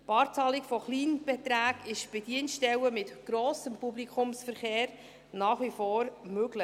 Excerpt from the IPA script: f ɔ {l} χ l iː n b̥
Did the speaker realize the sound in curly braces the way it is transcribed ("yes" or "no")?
no